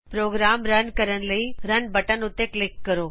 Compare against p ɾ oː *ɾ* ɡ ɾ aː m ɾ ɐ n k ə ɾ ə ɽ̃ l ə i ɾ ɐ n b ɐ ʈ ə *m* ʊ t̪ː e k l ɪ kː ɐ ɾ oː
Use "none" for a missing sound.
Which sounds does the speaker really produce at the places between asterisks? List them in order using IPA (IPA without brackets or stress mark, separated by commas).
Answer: none, n